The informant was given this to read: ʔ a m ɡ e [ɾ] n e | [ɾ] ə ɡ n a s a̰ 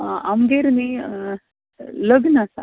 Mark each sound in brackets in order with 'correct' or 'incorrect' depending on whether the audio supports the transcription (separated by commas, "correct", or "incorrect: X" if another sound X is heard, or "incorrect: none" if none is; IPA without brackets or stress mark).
correct, incorrect: l